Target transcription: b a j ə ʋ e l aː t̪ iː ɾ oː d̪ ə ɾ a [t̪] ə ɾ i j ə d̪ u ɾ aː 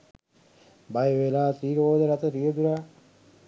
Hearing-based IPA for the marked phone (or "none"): t̪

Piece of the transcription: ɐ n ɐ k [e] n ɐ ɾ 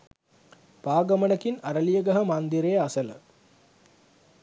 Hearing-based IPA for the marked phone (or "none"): i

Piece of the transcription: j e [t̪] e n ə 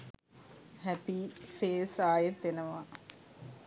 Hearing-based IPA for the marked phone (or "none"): t̪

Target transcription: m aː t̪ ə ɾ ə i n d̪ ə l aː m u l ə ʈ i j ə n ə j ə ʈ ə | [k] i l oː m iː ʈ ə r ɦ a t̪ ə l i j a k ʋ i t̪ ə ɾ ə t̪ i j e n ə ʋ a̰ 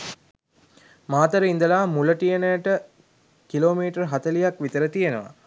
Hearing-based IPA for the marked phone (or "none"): k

